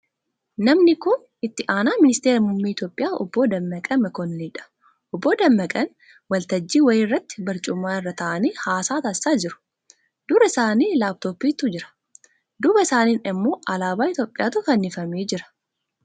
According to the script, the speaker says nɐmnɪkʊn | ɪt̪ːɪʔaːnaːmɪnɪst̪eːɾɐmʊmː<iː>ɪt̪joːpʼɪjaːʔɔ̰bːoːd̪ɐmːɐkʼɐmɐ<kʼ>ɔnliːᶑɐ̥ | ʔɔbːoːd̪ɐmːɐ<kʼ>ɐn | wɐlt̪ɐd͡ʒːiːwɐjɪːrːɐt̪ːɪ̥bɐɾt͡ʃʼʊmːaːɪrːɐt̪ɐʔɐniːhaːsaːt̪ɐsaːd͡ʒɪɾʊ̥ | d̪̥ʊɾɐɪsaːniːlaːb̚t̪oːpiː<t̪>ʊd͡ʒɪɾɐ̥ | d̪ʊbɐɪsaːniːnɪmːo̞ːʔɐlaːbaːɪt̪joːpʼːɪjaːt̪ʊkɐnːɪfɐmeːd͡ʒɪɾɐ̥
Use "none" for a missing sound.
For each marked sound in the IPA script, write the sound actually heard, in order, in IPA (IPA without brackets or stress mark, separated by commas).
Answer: iː, k, kʼ, t̪